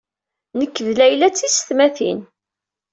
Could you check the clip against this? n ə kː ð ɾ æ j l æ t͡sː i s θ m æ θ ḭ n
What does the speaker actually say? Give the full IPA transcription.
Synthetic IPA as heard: n ə kː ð l æ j l æ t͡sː i s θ m æ θ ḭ n